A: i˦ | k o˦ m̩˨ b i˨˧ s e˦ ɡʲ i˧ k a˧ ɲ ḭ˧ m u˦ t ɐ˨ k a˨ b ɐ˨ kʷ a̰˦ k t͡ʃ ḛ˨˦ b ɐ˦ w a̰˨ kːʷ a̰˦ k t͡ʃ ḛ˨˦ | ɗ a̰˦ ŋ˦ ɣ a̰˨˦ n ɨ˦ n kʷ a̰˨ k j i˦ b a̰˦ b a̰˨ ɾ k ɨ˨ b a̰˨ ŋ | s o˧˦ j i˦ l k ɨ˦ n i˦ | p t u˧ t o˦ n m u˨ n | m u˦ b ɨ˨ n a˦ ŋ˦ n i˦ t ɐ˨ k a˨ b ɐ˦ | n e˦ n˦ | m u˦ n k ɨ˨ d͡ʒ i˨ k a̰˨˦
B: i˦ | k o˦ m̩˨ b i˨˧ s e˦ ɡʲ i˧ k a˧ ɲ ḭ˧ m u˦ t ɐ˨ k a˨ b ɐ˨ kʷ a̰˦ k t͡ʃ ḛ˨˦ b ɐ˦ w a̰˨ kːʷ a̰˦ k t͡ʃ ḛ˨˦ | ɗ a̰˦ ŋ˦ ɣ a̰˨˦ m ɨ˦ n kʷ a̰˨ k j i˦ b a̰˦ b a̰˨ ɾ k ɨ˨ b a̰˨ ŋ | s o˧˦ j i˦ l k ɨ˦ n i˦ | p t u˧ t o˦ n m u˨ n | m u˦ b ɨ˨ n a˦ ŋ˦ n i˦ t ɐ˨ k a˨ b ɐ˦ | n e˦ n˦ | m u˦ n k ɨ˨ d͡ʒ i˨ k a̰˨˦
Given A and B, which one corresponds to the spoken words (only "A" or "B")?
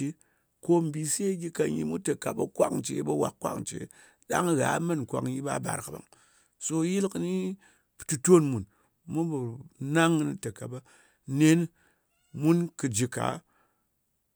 B